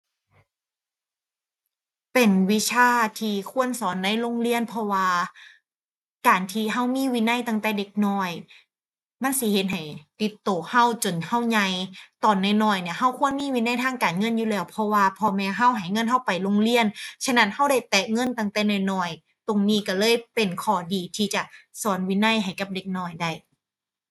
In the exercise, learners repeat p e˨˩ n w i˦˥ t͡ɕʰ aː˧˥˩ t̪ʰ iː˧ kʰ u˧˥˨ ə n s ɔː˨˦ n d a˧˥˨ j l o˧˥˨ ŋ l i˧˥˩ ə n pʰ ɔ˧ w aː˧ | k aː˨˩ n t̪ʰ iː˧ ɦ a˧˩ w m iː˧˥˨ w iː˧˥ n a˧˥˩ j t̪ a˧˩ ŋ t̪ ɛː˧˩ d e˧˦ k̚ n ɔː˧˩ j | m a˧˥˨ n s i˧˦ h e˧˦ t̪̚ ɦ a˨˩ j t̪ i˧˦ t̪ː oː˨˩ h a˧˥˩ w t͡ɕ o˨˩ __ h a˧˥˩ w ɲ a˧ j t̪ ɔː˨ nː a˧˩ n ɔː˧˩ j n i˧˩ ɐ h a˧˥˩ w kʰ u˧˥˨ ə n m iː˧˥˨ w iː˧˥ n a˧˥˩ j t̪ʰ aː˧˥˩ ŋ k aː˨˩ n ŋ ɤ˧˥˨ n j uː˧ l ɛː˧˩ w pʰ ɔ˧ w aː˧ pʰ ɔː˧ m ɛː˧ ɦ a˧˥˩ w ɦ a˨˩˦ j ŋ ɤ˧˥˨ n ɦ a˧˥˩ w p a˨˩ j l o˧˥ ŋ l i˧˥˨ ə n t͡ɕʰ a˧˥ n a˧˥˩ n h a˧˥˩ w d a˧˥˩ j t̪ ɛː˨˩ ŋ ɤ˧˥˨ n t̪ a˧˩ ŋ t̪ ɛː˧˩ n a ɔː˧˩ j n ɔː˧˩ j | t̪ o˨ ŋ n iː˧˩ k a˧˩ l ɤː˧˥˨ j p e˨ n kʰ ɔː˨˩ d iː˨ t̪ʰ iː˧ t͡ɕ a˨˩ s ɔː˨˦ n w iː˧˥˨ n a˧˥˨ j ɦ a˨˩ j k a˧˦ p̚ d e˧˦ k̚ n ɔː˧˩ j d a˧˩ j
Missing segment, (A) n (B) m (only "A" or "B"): A